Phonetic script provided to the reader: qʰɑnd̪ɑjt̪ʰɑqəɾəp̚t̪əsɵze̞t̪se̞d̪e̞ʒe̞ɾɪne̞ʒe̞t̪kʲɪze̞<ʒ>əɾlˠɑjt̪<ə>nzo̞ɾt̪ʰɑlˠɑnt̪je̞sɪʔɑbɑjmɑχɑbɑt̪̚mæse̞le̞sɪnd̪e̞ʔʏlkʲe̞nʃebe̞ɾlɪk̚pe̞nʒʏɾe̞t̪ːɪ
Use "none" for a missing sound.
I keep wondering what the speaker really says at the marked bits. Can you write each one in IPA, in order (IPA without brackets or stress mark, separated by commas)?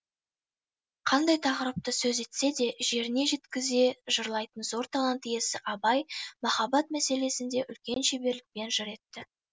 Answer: ʒ, ə